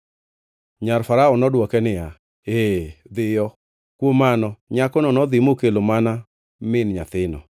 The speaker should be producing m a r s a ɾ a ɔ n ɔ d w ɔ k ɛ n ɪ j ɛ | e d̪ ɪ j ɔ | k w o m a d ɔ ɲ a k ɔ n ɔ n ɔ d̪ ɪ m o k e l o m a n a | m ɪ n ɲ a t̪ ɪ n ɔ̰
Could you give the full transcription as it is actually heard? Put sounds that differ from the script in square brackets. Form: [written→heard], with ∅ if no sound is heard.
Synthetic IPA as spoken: [m→ɲ] a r [s→f] a ɾ a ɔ n ɔ d w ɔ k ɛ n ɪ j [ɛ→a] | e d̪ ɪ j ɔ | k w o m a [d→n] ɔ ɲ a k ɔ n ɔ n ɔ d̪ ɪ m o k e l o m a n a | m ɪ n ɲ a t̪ ɪ n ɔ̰